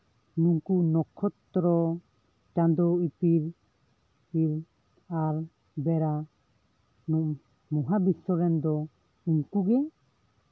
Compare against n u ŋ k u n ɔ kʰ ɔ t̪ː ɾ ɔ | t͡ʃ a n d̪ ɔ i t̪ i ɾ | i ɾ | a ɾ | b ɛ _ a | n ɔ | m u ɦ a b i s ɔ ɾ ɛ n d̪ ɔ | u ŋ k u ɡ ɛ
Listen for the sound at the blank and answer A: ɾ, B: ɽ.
A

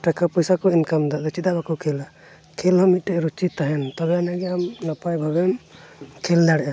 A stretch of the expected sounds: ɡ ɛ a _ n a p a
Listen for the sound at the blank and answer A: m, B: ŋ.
A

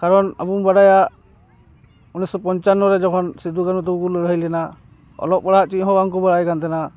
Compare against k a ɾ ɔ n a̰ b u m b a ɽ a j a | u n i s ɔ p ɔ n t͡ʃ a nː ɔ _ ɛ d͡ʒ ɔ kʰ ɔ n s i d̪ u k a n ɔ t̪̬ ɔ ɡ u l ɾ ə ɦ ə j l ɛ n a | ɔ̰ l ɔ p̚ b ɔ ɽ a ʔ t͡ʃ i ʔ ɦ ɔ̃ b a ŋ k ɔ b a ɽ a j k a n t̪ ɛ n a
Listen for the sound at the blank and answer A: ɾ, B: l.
A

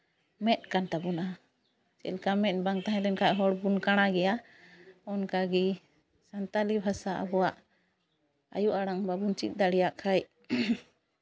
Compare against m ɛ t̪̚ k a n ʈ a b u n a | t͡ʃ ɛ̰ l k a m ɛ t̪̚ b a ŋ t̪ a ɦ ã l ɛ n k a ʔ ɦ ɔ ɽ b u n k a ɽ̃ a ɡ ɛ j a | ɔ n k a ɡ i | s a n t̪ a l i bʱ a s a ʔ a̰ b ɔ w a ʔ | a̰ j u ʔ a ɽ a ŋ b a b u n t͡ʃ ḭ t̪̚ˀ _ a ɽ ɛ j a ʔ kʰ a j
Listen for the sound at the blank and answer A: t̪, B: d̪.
B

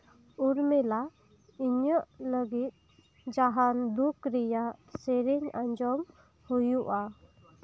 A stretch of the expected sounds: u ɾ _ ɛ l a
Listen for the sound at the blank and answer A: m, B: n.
A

